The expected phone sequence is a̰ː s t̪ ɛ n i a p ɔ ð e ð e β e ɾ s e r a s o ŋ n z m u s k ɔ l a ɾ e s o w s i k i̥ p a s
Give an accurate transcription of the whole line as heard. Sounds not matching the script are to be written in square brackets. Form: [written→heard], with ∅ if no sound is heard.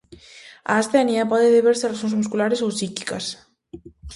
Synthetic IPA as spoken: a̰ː s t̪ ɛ n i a p ɔ ð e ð e β e ɾ s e r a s o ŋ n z m u s k [ɔ→u] l a ɾ e s o w s i k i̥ [p→k] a s